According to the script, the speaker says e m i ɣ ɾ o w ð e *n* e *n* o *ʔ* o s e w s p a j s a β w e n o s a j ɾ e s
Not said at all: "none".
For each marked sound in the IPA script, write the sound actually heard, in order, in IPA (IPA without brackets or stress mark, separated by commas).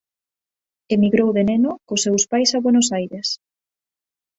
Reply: n, n, k